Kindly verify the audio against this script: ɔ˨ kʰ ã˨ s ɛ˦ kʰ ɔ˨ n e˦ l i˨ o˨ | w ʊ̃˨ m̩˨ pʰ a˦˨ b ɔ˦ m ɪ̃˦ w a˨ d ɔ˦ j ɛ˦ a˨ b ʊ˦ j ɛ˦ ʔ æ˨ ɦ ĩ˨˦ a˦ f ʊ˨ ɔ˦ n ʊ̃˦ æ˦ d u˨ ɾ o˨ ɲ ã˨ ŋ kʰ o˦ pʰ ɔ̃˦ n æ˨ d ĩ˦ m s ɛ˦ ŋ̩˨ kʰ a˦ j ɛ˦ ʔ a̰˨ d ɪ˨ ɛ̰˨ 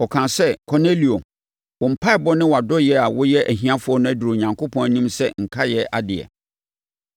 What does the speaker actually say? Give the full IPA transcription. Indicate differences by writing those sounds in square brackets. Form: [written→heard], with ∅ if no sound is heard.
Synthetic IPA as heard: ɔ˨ kʰ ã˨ s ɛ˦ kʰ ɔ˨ n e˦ l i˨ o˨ | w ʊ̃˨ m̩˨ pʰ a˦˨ b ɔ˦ [m→n] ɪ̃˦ w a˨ d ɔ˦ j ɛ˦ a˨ [b→w] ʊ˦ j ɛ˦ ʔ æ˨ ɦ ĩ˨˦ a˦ f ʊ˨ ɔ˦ n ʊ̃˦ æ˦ d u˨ ɾ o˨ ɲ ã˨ ŋ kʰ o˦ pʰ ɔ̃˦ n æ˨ [d→n] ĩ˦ m s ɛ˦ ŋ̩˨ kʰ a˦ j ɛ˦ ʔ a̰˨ d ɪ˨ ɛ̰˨

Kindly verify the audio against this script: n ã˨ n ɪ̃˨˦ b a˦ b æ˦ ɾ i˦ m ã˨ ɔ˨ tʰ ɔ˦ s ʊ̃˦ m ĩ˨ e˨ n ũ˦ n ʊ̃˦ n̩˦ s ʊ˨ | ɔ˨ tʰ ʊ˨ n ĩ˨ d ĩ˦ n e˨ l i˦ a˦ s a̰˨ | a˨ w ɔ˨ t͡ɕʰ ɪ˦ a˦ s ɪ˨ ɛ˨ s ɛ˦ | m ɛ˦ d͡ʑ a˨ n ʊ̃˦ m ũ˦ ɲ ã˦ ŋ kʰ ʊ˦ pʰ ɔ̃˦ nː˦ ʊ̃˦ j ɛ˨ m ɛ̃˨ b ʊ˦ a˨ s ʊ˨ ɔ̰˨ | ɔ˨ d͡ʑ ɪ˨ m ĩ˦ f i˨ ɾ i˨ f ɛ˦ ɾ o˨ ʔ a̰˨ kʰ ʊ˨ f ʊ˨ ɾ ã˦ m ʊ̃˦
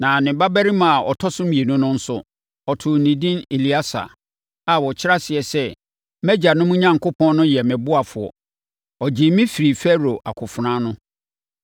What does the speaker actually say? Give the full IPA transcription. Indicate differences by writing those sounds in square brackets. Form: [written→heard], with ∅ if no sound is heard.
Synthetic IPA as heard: n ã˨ n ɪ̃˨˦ b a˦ b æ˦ ɾ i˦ m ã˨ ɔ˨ tʰ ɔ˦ s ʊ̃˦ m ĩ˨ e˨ n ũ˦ n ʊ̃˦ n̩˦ s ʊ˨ | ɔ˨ tʰ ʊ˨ n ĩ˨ d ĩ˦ n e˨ l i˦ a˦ s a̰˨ | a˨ w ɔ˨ t͡ɕʰ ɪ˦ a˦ s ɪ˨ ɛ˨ s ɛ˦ | m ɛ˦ d͡ʑ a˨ n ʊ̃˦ m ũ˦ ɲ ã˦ ŋ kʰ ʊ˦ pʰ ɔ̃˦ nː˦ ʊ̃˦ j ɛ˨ m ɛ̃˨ b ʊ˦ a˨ [s→f] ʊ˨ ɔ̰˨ | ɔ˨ d͡ʑ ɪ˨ m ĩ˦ f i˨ ɾ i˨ f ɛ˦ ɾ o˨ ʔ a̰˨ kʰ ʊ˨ f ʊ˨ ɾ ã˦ [m→n] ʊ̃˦

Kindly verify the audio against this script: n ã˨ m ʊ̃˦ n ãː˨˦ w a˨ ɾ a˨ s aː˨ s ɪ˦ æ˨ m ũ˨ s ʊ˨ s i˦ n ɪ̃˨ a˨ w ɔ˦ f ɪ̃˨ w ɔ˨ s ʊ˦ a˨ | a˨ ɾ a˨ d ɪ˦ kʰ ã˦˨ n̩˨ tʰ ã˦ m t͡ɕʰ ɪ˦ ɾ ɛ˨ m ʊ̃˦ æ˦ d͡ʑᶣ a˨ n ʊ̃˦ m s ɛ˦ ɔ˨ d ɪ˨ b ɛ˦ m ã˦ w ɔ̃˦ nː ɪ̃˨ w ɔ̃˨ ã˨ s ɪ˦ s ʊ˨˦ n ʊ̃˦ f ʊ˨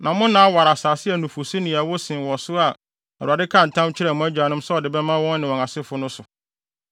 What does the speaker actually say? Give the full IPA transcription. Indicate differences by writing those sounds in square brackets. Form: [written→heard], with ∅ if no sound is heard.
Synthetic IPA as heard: n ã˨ m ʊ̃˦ n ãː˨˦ w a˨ ɾ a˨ s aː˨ s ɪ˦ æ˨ [m→n] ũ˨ [s→f] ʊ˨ s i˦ n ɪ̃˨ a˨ w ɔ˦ [f→s] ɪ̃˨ w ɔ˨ s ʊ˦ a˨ | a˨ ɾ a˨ d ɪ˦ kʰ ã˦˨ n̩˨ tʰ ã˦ m t͡ɕʰ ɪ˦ ɾ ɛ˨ m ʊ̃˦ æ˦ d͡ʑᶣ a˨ n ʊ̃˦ m s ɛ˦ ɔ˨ d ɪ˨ b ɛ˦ m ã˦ w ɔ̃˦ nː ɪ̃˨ w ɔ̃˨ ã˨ s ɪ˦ [s→f] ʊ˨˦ n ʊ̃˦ [f→s] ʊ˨

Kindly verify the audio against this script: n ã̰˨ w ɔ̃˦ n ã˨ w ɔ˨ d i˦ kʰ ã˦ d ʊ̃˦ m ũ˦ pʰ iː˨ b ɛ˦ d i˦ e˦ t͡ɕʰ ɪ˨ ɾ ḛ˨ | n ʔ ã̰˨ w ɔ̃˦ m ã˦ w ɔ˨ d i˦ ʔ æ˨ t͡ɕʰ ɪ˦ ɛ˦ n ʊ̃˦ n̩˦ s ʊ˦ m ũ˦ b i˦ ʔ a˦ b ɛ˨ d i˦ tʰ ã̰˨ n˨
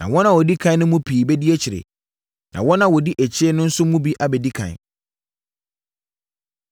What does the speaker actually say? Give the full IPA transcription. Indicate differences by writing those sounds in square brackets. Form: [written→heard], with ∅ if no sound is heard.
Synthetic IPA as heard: n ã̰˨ w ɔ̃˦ n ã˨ w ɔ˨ d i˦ kʰ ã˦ [d→n] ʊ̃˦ m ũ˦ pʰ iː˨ b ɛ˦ d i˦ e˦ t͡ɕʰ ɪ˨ ɾ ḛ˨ | n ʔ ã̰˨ w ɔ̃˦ [m→n] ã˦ w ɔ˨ d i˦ ʔ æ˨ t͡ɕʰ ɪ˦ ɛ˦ n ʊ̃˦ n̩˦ s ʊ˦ m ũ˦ b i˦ ʔ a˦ b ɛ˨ d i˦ [tʰ→kʰ] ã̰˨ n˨

